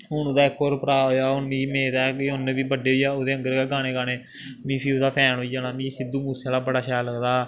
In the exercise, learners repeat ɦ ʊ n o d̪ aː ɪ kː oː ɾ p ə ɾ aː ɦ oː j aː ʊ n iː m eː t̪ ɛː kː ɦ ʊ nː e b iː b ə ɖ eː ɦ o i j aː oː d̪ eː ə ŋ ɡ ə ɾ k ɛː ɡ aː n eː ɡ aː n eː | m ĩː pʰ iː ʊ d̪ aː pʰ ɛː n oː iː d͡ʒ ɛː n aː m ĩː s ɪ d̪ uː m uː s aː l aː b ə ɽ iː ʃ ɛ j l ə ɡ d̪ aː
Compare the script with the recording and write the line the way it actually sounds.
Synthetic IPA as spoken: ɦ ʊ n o d̪ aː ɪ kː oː ɾ p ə ɾ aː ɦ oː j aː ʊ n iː m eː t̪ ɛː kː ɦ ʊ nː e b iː b ə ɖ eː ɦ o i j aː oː d̪ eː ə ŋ ɡ ə ɾ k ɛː ɡ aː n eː ɡ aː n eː | m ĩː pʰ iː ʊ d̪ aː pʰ ɛː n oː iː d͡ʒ aː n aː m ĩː s ɪ d̪ uː m uː s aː l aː b ə ɽ aː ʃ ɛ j l ə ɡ d̪ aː